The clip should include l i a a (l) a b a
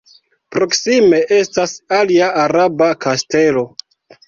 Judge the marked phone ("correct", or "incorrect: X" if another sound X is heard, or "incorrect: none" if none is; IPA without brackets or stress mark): incorrect: ɾ